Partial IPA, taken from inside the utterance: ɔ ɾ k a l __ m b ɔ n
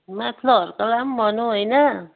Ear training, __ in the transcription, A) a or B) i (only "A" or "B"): A